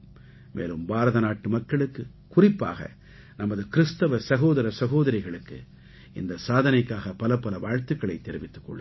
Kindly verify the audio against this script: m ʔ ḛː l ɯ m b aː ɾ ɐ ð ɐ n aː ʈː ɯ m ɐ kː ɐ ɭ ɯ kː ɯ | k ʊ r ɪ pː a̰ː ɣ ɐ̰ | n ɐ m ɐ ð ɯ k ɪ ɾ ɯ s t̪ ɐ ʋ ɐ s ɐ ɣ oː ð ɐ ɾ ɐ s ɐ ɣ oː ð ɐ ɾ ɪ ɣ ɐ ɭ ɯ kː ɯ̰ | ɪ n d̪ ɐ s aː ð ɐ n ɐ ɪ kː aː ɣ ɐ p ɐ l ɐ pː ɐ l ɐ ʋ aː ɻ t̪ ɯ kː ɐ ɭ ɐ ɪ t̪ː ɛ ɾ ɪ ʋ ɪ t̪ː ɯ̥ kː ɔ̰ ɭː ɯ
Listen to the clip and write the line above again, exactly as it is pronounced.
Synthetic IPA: m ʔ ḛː l ɯ m b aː ɾ ɐ ð ɐ n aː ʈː ɯ m ɐ kː ɐ ɭ ɯ kː ɯ | k ʊ r ɪ pː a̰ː ɣ ɐ̰ | n ɐ m ɐ ð ɯ k ɪ ɾ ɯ s t̪ ɐ ʋ ɐ s ɐ ɣ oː ð ɐ ɾ ɐ s ɐ ɣ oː ð ɐ ɾ ɪ ɣ ɐ ɭ ɯ kː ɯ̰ | ɪ n d̪ ɐ s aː ð ɐ n ɐ ɪ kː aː ɣ ɐ p ɐ l ɐ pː ɐ l ɐ ʋ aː ɻ t̪ ɯ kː ɐ ɭ ɐ ɪ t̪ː ɛ ɾ ɪ ʋ ɪ t̪ː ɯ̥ kː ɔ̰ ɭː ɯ

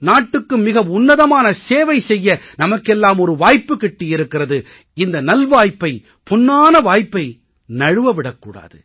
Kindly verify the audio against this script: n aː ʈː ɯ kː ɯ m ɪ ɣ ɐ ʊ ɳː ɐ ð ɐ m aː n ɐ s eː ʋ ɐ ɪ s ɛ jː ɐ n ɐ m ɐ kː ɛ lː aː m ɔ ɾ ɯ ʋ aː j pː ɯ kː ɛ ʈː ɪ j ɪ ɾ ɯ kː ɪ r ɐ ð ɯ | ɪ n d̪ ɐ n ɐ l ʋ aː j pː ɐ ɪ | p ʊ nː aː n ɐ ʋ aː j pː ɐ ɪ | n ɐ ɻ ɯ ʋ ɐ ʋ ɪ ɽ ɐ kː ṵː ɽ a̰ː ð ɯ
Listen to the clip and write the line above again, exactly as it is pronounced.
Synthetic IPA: n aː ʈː ɯ kː ɯ m ɪ ɣ ɐ ʊ nː ɐ ð ɐ m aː n ɐ s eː ʋ ɐ ɪ s ɛ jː ɐ n ɐ m ɐ kː ɛ lː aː m ɔ ɾ ɯ ʋ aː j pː ɯ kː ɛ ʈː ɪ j ɪ ɾ ɯ kː ɪ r ɐ ð ɯ | ɪ n d̪ ɐ n ɐ l ʋ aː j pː ɐ ɪ | p ʊ nː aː n ɐ ʋ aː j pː ɐ ɪ | n ɐ ɻ ɯ ʋ ɐ ʋ ɪ ɽ ɐ kː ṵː ɽ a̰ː ð ɯ

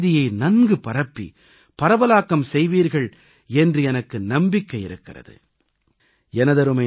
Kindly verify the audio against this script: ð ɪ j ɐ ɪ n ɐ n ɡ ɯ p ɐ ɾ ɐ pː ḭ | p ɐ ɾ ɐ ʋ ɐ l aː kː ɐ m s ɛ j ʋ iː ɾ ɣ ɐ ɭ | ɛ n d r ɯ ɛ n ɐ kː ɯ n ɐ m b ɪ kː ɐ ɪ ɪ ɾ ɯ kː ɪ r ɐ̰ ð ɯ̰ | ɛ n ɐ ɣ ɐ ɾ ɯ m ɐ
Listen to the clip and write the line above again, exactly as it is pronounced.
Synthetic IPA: ð ɪ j ɐ ɪ n ɐ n ɡ ɯ p ɐ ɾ ɐ pː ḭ | p ɐ ɾ ɐ ʋ ɐ l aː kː ɐ m s ɛ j ʋ iː ɾ ɣ ɐ ɭ | ɛ n d r ɯ ɛ n ɐ kː ɯ n ɐ m b ɪ kː ɐ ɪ ɪ ɾ ɯ kː ɪ r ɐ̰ ð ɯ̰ | ɛ n ɐ ð ɐ ɾ ɯ m ɐ

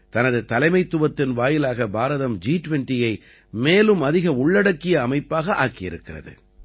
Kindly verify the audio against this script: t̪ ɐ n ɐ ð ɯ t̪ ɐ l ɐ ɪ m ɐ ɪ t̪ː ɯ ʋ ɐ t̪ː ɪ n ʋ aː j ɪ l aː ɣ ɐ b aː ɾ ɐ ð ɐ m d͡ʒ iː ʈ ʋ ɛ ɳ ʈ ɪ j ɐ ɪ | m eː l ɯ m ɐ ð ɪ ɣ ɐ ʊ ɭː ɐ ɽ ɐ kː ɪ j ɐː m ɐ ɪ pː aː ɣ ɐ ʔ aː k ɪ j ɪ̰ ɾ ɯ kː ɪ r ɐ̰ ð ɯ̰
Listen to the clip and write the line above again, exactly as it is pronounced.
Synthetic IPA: t̪ ɐ n ɐ ð ɯ t̪ ɐ l ɐ ɪ m ɐ ɪ t̪ː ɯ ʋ ɐ t̪ː ɪ n ʋ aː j ɪ l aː ɣ ɐ b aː ɾ ɐ ð ɐ m d͡ʒ iː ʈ ʋ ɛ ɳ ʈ ɪ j ɐ ɪ | m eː l ɯ m ɐ ð ɪ ɣ ɐ ʊ ɭː ɐ ɽ ɐ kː ɪ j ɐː m ɐ ɪ pː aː ɣ ɐ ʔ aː k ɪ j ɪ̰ ɾ ɯ kː ɪ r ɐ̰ ð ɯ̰

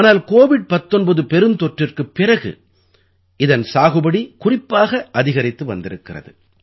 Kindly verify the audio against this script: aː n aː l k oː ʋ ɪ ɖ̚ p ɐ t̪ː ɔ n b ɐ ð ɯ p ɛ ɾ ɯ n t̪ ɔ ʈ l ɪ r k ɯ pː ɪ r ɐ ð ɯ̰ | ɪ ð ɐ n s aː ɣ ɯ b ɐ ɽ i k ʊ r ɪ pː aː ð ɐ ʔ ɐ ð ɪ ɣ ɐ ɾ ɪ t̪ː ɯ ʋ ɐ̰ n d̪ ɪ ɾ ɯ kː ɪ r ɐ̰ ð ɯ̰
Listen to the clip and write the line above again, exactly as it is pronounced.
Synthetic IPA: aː n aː l k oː ʋ ɪ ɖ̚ p ɐ t̪ː ɔ n b ɐ ð ɯ p ɛ ɾ ɯ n t̪ ɔ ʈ r ɪ r k ɯ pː ɪ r ɐ ɣ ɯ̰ | ɪ ð ɐ n s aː ɣ ɯ b ɐ ɽ i k ʊ r ɪ pː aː ɣ ɐ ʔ ɐ ð ɪ ɣ ɐ ɾ ɪ t̪ː ɯ ʋ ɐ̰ n d̪ ɪ ɾ ɯ kː ɪ r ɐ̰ ð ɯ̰

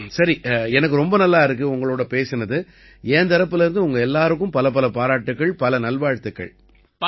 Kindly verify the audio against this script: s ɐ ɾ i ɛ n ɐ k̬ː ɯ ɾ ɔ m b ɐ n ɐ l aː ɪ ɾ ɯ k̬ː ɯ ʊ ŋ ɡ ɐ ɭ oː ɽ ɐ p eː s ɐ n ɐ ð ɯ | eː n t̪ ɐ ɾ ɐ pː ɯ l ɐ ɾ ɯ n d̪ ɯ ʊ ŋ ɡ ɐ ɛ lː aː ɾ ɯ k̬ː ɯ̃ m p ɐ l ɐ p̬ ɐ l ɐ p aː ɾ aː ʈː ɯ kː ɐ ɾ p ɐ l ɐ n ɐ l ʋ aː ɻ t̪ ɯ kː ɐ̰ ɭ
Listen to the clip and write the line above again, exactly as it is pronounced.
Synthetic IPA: s ɐ ɾ i ɛ n ɐ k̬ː ɯ ɾ ɔ m b ɐ n ɐ lː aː ɪ ɾ ɯ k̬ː ɯ ʊ ŋ ɡ ɐ ɭ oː ɽ ɐ p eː s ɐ n ɐ ð ɯ | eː n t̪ ɐ ɾ ɐ pː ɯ l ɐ ɾ ɯ n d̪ ɯ ʊ ŋ ɡ ɐ ɛ lː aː ɾ ɯ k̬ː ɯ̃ m p ɐ l ɐ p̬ ɐ l ɐ p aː ɾ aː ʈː ɯ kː ɐ ɭ p ɐ l ɐ n ɐ l ʋ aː ɻ t̪ ɯ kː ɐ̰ ɭ

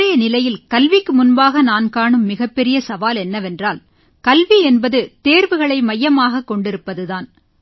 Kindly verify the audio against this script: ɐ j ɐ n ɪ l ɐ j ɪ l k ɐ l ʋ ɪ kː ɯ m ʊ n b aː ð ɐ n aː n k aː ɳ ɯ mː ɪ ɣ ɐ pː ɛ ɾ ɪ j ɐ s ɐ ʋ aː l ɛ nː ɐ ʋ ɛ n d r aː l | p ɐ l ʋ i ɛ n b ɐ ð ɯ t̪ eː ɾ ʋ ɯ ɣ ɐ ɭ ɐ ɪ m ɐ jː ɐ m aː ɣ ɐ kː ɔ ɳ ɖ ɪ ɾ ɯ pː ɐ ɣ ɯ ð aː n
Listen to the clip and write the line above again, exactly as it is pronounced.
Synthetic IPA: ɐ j ɐ n ɪ l ɐ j ɪ l k ɐ l ʋ ɪ kː ɯ m ʊ n b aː ɣ ɐ n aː n k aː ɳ ɯ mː ɪ ɣ ɐ pː ɛ ɾ ɪ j ɐ s ɐ ʋ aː l ɛ nː ɐ ʋ ɛ n d r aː l | k ɐ l ʋ i ɛ n b ɐ ð ɯ t̪ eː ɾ ʋ ɯ ɣ ɐ ɭ ɐ ɪ m ɐ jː ɐ m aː ɣ ɐ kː ɔ ɳ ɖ ɪ ɾ ɯ pː ɐ ð ɯ ð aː n

